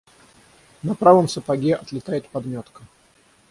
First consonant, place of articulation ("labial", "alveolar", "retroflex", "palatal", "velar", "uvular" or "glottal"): alveolar